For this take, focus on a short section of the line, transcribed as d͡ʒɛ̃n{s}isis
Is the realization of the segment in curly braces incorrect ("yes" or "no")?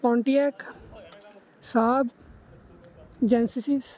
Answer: no